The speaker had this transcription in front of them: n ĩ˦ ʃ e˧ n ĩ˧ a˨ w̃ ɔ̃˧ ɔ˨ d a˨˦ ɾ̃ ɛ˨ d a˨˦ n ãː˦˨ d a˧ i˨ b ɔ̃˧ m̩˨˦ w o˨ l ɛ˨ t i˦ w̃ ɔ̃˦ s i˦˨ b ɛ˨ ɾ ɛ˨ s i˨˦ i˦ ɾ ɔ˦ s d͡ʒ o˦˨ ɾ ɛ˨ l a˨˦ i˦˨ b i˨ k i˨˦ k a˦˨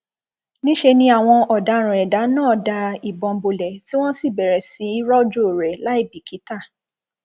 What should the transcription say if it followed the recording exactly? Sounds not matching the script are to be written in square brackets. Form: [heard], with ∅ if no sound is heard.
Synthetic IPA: n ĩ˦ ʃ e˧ n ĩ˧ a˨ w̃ ɔ̃˧ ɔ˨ d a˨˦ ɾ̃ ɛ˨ d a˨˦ n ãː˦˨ d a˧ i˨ b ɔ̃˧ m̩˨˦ [b] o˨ l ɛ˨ t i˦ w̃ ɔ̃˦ s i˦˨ b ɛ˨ ɾ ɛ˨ s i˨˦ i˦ ɾ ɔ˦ [∅] d͡ʒ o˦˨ ɾ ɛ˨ l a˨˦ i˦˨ b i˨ k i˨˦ [t] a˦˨

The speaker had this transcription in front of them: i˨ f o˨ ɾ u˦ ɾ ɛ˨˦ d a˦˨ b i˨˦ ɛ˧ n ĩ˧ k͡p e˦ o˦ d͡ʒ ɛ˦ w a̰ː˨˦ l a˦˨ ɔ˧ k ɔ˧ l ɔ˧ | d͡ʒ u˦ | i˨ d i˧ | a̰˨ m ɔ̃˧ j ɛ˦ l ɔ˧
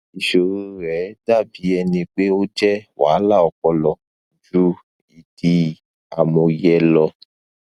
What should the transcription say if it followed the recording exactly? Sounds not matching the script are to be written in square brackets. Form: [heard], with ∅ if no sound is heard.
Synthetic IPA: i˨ [ʃ] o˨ ɾ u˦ ɾ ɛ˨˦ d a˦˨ b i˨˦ ɛ˧ n ĩ˧ k͡p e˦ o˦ d͡ʒ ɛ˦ w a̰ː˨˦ l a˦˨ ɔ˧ k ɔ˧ l ɔ˧ | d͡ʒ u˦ | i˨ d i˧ | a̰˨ m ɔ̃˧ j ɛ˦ l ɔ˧

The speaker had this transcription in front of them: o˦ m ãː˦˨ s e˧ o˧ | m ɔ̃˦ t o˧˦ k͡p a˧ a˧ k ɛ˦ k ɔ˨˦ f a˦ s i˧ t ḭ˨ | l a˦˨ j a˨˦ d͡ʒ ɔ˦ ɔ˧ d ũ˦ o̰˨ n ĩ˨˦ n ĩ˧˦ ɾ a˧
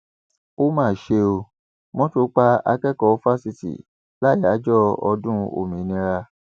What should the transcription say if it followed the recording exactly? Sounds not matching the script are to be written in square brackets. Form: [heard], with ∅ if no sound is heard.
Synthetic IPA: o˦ m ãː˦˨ [ʃ] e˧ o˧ | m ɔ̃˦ t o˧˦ k͡p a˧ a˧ k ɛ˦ k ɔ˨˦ f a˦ s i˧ t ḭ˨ | l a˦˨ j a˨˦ d͡ʒ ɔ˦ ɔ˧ d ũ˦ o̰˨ [m] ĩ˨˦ n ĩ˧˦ ɾ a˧

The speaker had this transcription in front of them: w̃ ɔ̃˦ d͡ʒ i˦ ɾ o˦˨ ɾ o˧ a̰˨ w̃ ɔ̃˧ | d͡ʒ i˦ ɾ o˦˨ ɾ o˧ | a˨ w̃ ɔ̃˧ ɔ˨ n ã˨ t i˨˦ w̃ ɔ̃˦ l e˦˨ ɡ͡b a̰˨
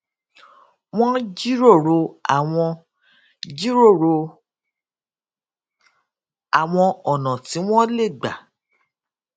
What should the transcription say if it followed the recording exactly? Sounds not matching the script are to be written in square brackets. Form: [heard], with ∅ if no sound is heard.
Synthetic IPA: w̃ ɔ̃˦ d͡ʒ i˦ ɾ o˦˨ ɾ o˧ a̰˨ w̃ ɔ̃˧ | d͡ʒ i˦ ɾ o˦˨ ɾ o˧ | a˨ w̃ ɔ̃˧ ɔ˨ n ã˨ t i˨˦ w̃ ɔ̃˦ l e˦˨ ɡ͡b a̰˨

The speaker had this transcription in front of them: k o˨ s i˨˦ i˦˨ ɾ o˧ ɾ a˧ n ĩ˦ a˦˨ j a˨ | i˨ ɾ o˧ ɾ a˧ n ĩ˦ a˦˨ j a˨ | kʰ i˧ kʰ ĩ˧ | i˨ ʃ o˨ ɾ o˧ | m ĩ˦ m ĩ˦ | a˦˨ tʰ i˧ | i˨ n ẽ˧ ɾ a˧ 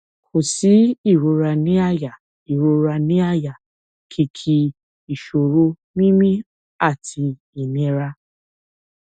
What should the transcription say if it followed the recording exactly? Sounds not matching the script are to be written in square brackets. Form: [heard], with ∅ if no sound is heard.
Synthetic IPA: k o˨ s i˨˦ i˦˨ ɾ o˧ ɾ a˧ n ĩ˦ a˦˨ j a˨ | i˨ ɾ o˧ ɾ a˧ n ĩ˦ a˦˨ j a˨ | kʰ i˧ kʰ [i˧] | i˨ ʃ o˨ ɾ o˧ | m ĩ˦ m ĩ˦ | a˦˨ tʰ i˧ | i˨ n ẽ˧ ɾ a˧

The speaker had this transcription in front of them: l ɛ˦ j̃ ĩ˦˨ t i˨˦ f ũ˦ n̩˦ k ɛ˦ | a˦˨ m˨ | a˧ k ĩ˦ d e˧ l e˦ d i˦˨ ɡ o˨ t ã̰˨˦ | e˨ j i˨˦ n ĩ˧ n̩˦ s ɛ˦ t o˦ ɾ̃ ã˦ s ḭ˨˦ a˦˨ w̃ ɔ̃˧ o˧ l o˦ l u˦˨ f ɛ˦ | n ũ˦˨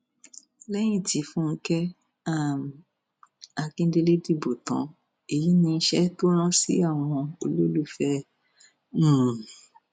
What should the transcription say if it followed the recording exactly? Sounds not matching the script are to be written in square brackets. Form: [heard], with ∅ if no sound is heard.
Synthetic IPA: l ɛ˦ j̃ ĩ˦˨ t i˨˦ f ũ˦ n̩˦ k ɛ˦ | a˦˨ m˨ | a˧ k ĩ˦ d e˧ l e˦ d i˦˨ [b] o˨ t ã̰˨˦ | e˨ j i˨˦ n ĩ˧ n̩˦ [ʃ] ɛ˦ t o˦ ɾ̃ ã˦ s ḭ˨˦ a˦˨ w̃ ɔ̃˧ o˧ l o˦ l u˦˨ f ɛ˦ | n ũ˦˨

